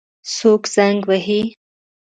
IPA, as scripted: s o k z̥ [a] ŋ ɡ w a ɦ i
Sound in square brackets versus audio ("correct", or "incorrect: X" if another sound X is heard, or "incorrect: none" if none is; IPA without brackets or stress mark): correct